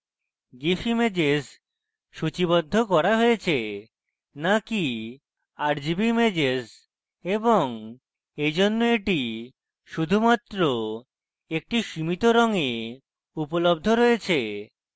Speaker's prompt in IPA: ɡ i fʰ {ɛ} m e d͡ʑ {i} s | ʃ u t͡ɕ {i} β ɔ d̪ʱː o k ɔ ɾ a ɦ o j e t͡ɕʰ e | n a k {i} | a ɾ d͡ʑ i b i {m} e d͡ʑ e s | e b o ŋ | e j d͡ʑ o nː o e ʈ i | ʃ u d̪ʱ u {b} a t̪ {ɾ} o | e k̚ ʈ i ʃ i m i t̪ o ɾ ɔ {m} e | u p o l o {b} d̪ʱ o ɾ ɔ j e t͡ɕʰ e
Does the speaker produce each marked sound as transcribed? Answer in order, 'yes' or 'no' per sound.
no, no, yes, yes, yes, no, yes, no, yes

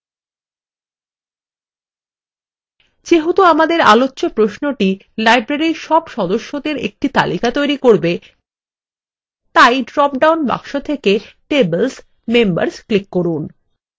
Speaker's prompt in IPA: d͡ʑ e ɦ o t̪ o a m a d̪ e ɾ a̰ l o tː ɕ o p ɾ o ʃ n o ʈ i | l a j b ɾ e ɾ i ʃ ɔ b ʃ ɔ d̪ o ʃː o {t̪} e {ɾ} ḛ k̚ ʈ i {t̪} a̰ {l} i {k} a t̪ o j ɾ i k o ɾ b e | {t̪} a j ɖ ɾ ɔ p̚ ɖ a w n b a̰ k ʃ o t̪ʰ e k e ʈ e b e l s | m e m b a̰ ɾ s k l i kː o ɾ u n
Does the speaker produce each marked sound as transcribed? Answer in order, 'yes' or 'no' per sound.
no, yes, yes, yes, yes, yes

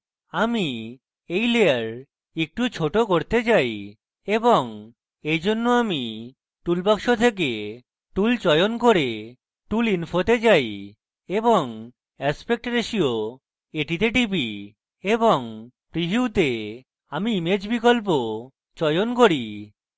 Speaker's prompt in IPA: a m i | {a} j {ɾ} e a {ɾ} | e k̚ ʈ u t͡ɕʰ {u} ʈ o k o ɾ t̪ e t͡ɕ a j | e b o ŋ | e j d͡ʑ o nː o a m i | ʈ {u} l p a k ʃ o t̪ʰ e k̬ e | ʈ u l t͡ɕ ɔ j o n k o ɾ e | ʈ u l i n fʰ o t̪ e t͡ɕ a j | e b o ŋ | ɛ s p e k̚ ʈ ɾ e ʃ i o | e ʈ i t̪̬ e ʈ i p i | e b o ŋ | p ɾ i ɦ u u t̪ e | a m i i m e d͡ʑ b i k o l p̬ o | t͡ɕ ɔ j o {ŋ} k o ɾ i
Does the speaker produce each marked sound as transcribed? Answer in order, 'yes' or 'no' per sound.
no, no, yes, no, yes, no

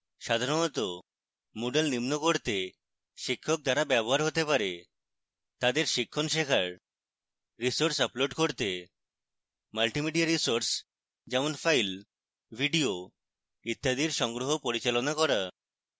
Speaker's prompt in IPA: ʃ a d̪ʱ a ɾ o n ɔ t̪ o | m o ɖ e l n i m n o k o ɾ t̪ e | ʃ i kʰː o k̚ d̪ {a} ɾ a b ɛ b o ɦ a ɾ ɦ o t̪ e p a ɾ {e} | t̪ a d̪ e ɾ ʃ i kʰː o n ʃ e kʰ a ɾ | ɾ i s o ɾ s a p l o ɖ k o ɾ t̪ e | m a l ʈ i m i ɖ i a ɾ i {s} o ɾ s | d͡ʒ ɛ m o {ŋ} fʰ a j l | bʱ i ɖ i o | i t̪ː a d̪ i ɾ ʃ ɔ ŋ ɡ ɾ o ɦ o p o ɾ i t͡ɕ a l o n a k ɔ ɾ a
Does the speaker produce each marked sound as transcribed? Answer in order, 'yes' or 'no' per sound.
yes, yes, yes, no

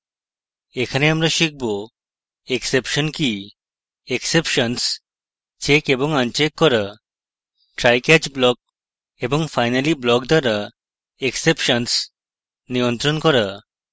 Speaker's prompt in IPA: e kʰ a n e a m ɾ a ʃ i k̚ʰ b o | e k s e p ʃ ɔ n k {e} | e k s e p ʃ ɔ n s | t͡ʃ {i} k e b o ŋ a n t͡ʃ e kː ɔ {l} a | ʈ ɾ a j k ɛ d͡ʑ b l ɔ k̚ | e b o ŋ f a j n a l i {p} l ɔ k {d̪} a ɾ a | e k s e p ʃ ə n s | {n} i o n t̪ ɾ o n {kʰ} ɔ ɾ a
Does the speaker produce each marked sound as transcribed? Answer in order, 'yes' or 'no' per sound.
no, no, no, no, yes, yes, no

